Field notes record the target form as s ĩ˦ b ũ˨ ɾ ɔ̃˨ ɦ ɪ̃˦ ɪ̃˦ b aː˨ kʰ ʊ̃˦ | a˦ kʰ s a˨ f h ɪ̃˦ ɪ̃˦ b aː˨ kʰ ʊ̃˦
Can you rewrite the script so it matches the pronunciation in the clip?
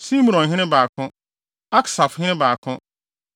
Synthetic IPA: s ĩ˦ m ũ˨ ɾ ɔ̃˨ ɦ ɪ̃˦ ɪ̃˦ b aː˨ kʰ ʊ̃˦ | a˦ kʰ s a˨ f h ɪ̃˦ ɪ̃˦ b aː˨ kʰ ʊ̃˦